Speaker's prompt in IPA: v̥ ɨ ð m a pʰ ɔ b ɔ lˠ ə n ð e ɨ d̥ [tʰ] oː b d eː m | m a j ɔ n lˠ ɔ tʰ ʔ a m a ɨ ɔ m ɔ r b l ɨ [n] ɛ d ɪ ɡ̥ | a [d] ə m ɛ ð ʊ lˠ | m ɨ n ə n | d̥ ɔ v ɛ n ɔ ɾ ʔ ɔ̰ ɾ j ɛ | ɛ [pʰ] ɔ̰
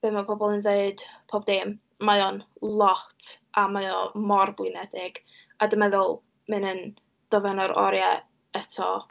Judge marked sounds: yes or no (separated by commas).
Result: no, yes, yes, no